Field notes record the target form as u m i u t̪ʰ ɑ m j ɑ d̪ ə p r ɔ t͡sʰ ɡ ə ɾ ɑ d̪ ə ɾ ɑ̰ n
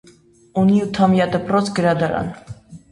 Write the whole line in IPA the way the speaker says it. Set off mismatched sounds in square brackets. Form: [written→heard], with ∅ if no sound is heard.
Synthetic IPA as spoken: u [m→n] i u t̪ʰ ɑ m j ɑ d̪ ə p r ɔ t͡sʰ ɡ ə ɾ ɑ d̪ [ə→ɑ] ɾ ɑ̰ n